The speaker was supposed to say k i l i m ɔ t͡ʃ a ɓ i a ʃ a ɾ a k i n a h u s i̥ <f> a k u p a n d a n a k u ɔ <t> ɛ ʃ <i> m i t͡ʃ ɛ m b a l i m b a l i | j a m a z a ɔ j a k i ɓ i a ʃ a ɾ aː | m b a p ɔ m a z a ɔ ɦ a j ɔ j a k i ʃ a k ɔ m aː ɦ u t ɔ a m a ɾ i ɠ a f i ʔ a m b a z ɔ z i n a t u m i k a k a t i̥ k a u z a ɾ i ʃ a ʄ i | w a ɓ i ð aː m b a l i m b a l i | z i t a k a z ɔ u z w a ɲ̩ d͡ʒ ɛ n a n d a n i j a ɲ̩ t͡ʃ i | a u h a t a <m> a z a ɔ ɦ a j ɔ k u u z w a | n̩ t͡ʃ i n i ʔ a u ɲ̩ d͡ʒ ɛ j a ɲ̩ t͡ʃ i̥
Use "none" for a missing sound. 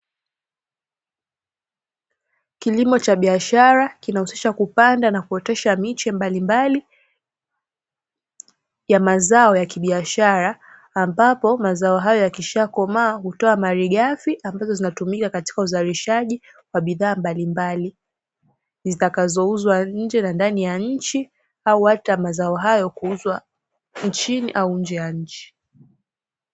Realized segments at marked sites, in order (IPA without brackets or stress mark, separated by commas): ʃ, t, a, m